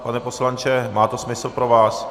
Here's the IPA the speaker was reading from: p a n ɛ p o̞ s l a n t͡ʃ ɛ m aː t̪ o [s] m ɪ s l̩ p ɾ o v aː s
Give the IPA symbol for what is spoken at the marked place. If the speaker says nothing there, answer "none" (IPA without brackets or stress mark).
s